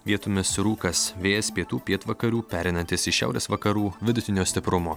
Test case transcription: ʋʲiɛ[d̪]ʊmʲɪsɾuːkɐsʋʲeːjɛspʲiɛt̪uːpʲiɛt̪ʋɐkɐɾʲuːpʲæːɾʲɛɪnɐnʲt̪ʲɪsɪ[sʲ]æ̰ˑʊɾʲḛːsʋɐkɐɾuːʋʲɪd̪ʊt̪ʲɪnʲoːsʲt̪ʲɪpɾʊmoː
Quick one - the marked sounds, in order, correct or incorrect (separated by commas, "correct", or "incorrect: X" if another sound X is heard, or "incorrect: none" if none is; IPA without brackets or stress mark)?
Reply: incorrect: t̪, incorrect: ʃʲ